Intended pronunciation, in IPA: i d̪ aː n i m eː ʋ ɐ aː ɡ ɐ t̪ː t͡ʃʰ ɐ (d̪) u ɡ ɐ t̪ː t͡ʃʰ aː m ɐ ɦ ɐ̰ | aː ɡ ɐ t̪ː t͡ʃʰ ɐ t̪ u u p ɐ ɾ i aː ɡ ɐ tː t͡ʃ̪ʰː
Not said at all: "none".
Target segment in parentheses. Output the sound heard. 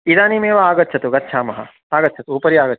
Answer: t̪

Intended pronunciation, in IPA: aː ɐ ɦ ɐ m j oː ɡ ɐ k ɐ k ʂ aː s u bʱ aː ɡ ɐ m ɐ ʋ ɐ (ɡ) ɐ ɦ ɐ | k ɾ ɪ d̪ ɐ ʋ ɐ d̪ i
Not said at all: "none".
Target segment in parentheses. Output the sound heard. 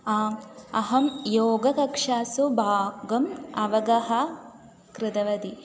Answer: ɡ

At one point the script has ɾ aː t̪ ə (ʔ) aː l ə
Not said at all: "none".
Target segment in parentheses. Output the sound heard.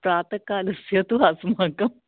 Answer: k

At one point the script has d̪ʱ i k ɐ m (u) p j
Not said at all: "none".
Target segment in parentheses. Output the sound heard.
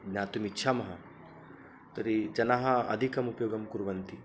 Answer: u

